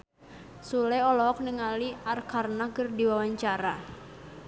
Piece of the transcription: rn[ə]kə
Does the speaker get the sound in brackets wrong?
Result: yes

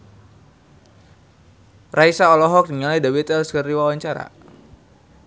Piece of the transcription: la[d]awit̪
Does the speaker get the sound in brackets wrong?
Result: no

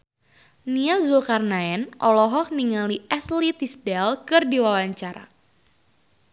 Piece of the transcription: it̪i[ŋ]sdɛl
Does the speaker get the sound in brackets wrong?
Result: yes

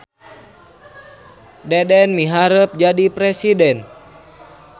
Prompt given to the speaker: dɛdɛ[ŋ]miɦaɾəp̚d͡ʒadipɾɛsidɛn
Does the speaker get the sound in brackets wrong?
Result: yes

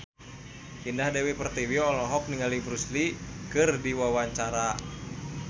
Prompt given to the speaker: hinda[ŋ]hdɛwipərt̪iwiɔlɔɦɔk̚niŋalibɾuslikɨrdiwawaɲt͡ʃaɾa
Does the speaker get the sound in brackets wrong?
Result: yes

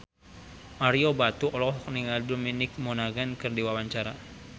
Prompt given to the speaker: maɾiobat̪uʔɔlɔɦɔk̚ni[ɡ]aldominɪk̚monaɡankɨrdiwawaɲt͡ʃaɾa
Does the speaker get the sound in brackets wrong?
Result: yes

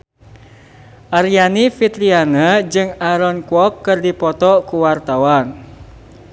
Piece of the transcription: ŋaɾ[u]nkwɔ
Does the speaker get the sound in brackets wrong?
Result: yes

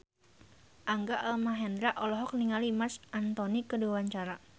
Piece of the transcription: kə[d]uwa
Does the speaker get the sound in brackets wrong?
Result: no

